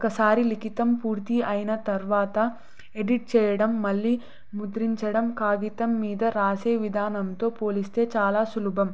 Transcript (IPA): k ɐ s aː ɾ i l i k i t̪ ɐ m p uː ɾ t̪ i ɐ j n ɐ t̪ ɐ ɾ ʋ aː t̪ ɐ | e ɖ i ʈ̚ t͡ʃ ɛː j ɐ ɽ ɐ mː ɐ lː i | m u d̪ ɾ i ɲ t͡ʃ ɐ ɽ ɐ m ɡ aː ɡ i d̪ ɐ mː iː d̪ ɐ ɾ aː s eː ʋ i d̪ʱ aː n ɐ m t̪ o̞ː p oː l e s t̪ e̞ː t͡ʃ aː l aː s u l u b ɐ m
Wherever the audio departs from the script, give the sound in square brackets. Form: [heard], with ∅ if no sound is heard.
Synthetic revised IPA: k ɐ s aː ɾ i l i k i t̪ ɐ m p uː ɾ t̪ i ɐ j n ɐ t̪ ɐ ɾ ʋ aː t̪ ɐ | e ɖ i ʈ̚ t͡ʃ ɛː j ɐ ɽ ɐ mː ɐ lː i | m u d̪ ɾ i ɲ t͡ʃ ɐ ɽ ɐ m [k] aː ɡ i [t̪] ɐ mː iː d̪ ɐ ɾ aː s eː ʋ i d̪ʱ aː n ɐ m t̪ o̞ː p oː l [i] s t̪ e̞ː t͡ʃ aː l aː s u l u b ɐ m